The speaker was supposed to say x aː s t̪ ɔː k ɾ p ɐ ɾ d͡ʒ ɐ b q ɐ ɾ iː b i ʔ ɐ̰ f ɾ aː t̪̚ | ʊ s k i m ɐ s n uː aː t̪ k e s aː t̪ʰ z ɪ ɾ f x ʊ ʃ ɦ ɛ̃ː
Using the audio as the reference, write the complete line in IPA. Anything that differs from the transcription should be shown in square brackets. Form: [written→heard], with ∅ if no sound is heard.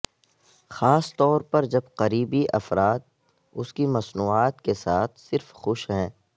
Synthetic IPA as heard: x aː s t̪ ɔː [k→∅] ɾ p ɐ ɾ d͡ʒ ɐ b q ɐ ɾ iː b i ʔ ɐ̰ f ɾ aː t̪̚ | ʊ s k i m ɐ s n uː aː t̪ k e s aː t̪ʰ [z→s] ɪ ɾ f x ʊ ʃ ɦ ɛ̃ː